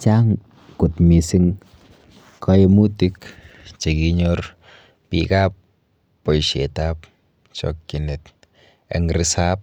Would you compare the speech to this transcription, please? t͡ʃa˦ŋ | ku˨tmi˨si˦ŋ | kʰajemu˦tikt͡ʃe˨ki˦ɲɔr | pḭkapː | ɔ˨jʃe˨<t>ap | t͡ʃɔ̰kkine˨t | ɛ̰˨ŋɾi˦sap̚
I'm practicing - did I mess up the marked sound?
no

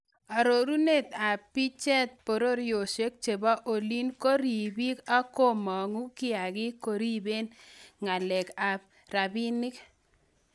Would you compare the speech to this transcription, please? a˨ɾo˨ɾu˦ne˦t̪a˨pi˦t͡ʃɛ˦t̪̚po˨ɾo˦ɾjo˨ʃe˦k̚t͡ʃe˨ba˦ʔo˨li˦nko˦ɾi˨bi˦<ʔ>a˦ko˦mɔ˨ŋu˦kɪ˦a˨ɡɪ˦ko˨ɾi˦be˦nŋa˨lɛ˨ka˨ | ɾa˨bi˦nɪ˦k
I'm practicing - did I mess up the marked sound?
yes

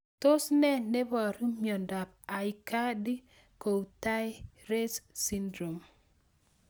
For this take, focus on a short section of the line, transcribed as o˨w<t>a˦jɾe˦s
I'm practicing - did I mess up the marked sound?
no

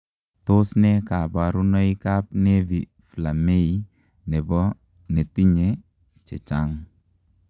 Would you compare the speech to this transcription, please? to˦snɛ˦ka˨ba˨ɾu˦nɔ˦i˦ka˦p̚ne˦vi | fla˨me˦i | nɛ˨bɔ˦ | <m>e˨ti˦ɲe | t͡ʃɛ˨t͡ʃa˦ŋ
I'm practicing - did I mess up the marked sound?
yes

